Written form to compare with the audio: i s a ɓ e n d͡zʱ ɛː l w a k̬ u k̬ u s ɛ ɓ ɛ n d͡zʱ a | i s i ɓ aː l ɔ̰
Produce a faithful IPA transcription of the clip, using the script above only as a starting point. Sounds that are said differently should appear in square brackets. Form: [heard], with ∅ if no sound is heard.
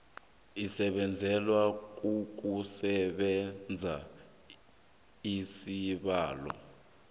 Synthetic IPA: i s [ɛ] ɓ [ɛ] n d͡zʱ [ɛ] l w a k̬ u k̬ u s ɛ ɓ ɛ n d͡zʱ a | i s i ɓ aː l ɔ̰